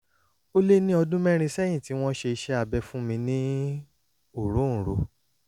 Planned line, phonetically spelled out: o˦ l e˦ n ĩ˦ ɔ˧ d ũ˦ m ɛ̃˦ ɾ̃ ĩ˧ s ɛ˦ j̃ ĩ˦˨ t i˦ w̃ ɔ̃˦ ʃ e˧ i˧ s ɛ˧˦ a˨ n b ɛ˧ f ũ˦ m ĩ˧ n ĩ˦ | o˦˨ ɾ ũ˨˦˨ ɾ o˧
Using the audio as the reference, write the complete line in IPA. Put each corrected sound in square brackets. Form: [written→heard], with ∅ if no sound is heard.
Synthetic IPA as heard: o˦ l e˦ n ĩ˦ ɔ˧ d ũ˦ m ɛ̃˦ ɾ̃ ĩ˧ s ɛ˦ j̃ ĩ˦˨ t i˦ w̃ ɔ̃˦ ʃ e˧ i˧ [s→ʃ] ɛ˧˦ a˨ [n→∅] b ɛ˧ f ũ˦ m ĩ˧ n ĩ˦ | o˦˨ ɾ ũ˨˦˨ ɾ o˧